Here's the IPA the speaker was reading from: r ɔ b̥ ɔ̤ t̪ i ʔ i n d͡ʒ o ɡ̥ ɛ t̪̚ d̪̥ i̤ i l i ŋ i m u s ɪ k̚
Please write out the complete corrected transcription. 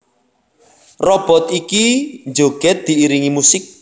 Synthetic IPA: r ɔ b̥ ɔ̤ t̪ i k i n d͡ʒ o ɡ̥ ɛ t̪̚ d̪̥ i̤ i ɾ i ŋ i m u s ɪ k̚